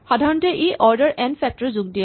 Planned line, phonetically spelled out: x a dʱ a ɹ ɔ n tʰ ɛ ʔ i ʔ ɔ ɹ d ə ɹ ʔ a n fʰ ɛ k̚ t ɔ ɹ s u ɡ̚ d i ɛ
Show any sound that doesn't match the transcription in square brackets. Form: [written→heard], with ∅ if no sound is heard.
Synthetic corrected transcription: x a dʱ a ɹ ɔ n [tʰ→t] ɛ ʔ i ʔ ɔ ɹ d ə ɹ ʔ [a→ɛ] n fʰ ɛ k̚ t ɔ ɹ [s→z] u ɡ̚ d i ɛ